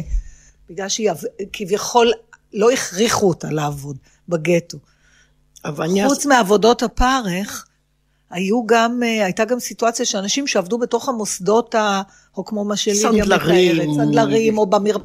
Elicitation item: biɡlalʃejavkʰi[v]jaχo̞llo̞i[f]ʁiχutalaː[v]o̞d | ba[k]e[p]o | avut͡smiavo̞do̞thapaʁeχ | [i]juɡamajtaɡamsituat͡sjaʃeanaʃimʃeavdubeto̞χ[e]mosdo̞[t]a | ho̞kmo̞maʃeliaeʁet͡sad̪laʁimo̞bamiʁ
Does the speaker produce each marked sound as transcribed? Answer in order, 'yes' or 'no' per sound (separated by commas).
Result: yes, no, yes, no, no, no, no, yes